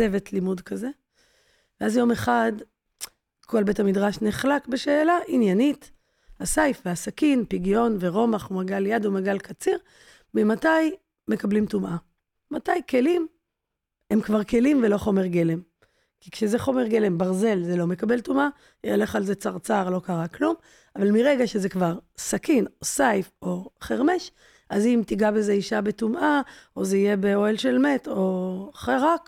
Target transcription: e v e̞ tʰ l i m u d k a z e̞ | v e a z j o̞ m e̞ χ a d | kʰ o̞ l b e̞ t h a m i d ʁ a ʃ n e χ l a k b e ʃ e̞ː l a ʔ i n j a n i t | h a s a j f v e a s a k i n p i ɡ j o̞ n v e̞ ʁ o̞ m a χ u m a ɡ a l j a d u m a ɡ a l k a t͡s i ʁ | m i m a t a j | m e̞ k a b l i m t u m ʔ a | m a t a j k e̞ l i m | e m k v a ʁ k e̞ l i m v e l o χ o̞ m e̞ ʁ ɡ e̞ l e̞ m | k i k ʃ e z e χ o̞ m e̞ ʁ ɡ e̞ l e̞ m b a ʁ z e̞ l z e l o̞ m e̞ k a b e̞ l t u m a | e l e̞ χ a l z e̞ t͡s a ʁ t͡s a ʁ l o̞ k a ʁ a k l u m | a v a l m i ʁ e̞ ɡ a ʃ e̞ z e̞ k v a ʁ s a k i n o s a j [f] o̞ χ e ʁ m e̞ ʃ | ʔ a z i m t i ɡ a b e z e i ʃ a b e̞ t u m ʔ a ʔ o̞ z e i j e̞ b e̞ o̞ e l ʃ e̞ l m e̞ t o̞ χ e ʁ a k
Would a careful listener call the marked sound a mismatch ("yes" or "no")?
no